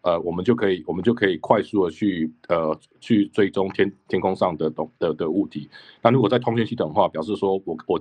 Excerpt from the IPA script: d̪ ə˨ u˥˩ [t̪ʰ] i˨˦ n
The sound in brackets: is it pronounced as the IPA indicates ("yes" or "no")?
yes